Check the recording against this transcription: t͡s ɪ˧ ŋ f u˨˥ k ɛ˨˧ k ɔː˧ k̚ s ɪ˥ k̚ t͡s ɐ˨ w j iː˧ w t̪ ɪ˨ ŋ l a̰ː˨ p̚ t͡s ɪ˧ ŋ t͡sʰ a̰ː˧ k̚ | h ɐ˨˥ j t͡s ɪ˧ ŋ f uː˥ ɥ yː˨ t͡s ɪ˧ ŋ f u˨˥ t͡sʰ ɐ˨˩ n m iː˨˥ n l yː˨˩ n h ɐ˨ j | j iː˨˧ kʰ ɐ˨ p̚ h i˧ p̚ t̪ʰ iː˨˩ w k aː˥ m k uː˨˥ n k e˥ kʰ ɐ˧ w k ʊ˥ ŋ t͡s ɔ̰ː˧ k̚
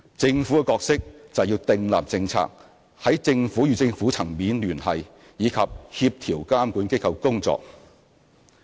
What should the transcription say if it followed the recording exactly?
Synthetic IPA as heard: t͡s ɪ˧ ŋ f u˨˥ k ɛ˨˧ k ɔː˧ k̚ s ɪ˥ k̚ t͡s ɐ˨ w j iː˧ w t̪ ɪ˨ ŋ l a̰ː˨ p̚ t͡s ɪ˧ ŋ t͡sʰ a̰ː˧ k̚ | h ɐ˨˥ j t͡s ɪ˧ ŋ f uː˨˥ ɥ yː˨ t͡s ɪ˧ ŋ f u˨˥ t͡sʰ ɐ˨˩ ŋ m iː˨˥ n l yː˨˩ n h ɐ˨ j | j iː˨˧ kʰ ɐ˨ p̚ h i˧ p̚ t̪ʰ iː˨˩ w k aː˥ m k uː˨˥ n k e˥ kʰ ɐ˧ w k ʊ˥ ŋ t͡s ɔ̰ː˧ k̚